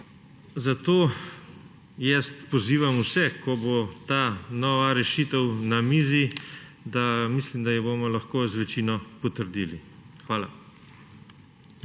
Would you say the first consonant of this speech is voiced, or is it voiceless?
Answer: voiced